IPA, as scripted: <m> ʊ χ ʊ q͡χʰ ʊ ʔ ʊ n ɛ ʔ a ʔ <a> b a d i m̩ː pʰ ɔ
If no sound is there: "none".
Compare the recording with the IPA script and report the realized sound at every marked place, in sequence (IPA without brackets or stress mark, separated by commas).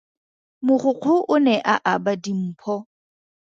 m, a